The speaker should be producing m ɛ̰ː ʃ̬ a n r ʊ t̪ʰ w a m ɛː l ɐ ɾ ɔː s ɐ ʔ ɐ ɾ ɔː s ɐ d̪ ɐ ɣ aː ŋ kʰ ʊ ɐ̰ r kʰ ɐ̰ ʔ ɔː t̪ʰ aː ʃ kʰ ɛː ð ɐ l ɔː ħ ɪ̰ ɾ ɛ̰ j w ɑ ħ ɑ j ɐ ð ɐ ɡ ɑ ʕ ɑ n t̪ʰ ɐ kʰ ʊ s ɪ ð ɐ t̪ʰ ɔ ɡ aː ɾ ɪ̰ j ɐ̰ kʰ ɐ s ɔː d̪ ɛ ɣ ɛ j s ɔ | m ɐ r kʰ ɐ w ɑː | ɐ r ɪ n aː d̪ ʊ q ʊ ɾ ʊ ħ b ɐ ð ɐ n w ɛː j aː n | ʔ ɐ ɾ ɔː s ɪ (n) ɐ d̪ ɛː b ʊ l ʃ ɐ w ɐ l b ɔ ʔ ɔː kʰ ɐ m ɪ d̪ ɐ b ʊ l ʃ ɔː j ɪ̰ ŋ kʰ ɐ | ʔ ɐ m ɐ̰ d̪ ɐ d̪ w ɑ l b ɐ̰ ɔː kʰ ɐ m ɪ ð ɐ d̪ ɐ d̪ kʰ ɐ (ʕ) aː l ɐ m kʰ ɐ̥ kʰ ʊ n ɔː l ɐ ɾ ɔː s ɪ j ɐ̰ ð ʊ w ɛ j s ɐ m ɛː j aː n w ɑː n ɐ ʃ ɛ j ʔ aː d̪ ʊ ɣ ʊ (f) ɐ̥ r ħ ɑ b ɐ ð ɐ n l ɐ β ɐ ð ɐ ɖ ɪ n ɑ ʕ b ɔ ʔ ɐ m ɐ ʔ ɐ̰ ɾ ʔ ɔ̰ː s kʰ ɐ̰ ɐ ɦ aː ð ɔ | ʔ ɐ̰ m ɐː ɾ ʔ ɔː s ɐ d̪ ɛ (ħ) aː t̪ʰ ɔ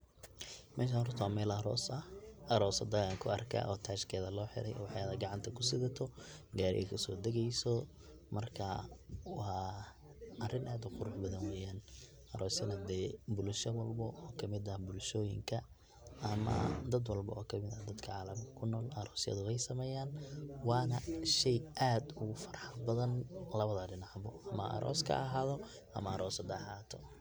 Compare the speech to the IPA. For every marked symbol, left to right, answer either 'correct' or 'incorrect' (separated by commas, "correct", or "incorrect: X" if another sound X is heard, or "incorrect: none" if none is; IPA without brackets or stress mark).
correct, correct, correct, correct